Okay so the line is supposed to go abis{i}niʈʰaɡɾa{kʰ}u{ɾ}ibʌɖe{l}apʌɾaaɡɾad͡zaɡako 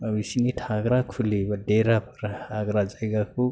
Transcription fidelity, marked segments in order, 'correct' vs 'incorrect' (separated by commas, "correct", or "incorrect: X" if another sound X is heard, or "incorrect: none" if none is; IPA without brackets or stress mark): correct, correct, incorrect: l, incorrect: ɾ